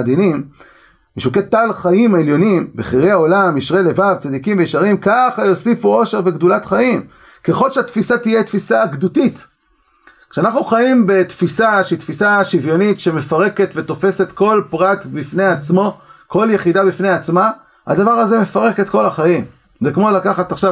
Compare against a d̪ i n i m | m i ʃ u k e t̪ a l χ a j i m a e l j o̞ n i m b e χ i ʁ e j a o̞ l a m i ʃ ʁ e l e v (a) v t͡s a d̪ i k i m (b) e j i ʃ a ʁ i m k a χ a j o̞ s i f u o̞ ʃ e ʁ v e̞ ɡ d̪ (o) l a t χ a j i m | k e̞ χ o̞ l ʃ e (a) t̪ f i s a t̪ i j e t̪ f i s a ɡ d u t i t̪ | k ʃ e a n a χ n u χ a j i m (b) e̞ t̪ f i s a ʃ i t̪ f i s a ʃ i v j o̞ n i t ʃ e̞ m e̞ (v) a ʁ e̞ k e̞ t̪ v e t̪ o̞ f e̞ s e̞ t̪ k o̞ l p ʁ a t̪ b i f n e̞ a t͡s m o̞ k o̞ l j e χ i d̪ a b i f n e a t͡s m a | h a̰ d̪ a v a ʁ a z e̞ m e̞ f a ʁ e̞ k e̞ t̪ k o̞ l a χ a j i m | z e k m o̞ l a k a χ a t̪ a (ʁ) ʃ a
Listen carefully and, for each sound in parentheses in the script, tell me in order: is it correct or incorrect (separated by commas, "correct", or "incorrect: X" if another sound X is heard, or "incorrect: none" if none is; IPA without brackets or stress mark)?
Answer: correct, incorrect: v, incorrect: u, correct, correct, incorrect: f, incorrect: χ